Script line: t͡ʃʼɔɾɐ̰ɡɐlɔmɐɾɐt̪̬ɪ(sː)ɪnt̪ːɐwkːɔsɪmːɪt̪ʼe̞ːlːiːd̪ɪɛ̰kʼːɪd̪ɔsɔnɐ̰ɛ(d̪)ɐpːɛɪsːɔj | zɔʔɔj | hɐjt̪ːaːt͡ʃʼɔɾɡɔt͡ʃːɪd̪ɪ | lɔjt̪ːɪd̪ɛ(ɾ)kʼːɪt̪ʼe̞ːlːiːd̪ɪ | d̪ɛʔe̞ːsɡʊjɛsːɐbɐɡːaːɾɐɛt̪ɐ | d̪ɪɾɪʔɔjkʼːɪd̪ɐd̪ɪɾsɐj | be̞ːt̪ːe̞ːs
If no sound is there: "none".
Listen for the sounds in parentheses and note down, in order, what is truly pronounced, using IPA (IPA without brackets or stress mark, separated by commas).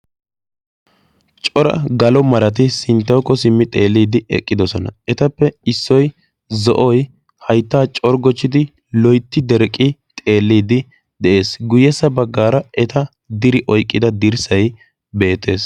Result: s, t̪, ɾ